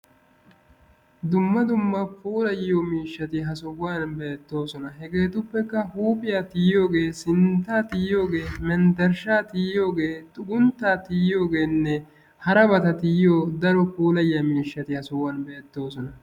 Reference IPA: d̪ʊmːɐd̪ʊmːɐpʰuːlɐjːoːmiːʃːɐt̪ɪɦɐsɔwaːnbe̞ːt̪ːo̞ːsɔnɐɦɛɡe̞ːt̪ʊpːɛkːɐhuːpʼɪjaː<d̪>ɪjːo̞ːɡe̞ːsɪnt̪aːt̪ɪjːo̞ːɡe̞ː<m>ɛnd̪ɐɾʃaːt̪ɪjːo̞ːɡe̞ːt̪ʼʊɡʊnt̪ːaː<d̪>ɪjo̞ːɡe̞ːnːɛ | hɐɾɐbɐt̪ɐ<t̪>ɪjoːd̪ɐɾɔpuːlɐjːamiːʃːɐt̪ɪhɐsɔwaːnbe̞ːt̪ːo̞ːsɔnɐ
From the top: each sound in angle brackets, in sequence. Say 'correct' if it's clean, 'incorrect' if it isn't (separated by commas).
incorrect, correct, incorrect, correct